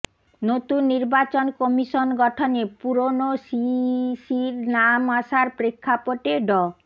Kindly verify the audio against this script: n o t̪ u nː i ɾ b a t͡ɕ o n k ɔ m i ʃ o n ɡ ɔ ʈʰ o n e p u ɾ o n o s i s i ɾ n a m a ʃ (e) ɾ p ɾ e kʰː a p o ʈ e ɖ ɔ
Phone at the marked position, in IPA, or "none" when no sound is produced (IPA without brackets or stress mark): a